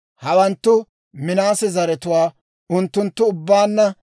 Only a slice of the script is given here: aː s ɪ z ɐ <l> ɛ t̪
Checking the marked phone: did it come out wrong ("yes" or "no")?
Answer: yes